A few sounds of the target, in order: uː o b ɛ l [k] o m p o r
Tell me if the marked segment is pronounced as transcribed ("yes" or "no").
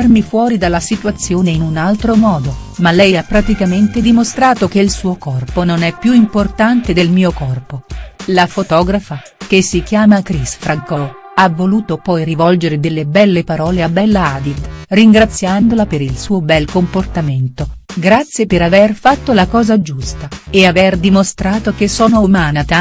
yes